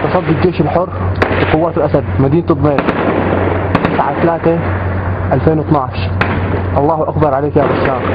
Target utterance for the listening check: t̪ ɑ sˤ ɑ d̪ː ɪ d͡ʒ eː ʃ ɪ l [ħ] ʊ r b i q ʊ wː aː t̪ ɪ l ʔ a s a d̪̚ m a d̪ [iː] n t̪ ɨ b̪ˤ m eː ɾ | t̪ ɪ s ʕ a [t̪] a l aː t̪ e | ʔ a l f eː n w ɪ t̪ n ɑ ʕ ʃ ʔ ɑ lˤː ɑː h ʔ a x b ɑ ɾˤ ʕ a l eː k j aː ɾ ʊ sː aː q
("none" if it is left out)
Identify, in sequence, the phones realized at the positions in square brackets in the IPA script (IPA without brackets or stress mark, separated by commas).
ħ, iː, t̪